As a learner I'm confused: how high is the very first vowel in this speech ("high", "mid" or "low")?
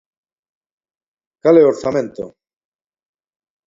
low